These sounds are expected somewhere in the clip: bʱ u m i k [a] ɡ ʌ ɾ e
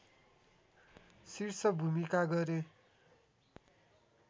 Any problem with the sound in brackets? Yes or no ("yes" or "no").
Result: no